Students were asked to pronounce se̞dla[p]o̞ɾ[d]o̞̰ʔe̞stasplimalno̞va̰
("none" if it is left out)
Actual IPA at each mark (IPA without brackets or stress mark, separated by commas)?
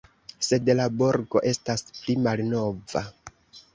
b, ɡ